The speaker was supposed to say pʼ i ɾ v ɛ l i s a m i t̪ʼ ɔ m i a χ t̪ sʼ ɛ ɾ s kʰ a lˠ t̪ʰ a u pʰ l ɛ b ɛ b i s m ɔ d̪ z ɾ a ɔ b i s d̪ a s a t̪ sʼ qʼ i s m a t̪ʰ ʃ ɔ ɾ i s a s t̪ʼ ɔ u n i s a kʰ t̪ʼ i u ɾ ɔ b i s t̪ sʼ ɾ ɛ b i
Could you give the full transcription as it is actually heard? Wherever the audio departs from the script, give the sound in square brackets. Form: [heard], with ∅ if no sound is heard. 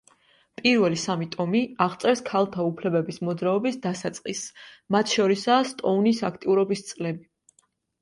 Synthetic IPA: pʼ i ɾ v ɛ l i s a m i t̪ʼ ɔ m i a [ʁ] t̪ sʼ ɛ ɾ s kʰ a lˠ t̪ʰ a u pʰ l ɛ b ɛ b i s m ɔ d̪ z ɾ a ɔ b i s d̪ a s a t̪ sʼ qʼ i s m a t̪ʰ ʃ ɔ ɾ i s a s t̪ʼ ɔ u n i s a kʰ t̪ʼ i u ɾ ɔ b i s t̪ sʼ [l] ɛ b i